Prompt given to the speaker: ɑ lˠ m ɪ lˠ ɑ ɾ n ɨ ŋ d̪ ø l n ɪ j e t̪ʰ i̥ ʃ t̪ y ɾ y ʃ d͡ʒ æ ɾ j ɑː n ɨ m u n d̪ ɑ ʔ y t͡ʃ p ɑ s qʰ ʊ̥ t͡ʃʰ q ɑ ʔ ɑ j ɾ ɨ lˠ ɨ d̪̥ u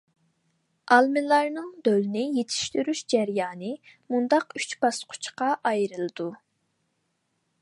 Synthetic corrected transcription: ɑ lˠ m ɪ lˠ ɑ ɾ n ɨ ŋ d̪ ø l n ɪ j e t̪ʰ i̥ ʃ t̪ y ɾ y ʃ d͡ʒ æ ɾ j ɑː n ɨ m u n d̪ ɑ q y t͡ʃ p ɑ s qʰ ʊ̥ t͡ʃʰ q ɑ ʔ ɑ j ɾ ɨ lˠ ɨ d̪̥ u